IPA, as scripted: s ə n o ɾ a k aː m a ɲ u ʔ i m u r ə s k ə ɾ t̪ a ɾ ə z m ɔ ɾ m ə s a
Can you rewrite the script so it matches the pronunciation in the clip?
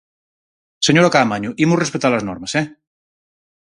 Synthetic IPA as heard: s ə ɲ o ɾ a k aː m a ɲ u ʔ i m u r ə s p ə t̪ a l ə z n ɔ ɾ m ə s ɛ